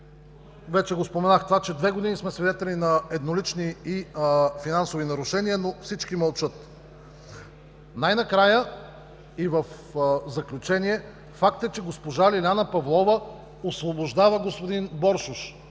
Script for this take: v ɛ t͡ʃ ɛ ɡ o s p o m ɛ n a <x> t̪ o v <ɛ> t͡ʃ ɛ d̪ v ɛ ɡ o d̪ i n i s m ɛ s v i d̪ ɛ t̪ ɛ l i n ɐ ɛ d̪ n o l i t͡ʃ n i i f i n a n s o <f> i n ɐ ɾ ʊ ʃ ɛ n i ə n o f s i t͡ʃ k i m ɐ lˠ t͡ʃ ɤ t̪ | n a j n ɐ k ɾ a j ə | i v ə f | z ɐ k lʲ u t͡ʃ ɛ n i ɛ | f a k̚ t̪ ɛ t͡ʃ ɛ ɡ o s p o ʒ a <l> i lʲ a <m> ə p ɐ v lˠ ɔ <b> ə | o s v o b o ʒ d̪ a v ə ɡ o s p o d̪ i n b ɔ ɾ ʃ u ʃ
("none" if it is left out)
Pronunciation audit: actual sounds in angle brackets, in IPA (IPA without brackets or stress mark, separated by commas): x, a, v, l, n, v